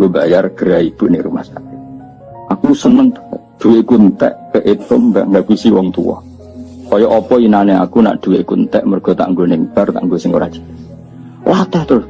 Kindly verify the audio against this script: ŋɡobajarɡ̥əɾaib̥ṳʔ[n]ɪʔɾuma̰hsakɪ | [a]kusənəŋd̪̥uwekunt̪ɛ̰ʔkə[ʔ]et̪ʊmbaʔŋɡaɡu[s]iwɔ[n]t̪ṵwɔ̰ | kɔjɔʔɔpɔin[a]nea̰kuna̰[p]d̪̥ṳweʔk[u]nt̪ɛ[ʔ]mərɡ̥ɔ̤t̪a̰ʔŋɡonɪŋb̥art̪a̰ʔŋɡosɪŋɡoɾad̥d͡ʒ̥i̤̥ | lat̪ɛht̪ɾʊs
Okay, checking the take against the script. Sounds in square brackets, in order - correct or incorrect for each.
correct, correct, correct, correct, incorrect: ŋ, correct, incorrect: ʔ, correct, correct

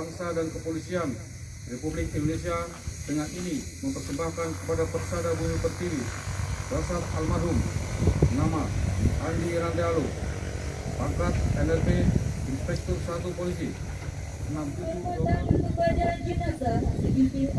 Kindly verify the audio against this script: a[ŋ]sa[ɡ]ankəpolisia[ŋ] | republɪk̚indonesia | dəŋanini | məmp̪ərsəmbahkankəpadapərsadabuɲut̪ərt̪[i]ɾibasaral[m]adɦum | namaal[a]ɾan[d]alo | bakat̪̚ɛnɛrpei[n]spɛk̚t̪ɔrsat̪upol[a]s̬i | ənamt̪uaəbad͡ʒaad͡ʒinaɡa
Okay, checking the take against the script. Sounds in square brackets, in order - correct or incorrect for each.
correct, incorrect: d, incorrect: n, correct, correct, incorrect: i, correct, correct, incorrect: i

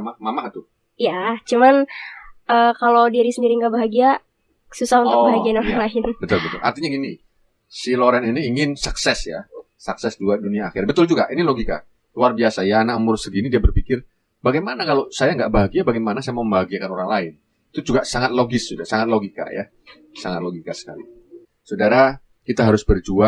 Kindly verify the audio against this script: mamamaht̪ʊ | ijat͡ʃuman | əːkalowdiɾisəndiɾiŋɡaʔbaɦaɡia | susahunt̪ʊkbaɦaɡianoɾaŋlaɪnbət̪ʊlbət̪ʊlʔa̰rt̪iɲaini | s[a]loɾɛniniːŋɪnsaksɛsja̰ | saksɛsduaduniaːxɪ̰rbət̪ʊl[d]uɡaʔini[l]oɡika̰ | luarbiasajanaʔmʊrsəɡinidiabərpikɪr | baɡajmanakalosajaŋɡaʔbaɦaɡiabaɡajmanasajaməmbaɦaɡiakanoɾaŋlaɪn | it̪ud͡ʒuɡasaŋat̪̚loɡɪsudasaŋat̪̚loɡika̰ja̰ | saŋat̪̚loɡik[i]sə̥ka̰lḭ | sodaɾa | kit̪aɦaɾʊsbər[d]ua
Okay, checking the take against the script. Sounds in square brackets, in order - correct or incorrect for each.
incorrect: i, incorrect: d͡ʒ, correct, incorrect: a, incorrect: d͡ʒ

